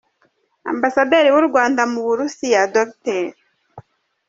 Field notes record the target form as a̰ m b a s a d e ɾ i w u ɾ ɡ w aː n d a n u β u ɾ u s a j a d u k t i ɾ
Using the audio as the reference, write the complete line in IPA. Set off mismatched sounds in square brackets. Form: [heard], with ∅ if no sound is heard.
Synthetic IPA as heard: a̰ m b a s a d e ɾ i w u ɾ ɡ w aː n d a [m] u β u ɾ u s [i] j a d [o] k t [e] ɾ